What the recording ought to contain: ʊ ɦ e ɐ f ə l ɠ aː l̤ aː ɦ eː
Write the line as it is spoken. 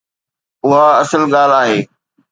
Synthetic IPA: ʊ ɦ a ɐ s ə l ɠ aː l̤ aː ɦ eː